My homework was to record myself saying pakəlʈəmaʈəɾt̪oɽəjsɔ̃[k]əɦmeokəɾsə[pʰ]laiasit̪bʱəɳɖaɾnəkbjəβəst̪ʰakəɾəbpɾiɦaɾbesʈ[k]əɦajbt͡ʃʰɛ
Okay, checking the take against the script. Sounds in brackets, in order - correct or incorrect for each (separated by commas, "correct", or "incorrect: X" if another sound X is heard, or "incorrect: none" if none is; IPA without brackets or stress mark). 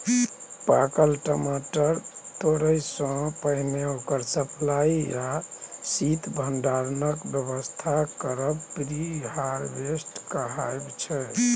incorrect: p, correct, correct